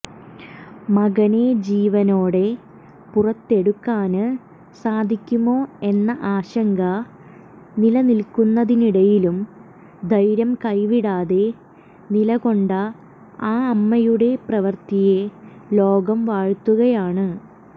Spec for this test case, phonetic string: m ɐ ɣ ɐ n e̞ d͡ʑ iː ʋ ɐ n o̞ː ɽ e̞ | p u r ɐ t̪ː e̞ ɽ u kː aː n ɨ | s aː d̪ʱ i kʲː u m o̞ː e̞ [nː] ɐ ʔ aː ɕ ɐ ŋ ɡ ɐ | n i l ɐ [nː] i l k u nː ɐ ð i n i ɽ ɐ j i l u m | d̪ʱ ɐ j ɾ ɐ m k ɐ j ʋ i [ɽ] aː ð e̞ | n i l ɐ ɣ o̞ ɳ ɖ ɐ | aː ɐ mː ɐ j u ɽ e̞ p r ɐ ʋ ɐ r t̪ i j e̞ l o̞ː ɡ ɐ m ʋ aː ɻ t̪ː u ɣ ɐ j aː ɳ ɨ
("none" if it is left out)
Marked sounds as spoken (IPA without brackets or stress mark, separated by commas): nː, n, ɽ